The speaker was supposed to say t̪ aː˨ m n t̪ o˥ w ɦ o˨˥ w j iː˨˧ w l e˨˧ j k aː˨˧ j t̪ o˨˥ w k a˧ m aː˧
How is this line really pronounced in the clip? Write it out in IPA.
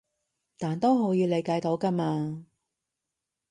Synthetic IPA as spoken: t̪ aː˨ n t̪ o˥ w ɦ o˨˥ w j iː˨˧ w l e˨˧ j k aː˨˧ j t̪ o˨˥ w k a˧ m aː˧